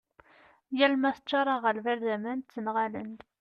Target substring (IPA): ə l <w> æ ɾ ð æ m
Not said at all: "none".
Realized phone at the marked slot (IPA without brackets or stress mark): v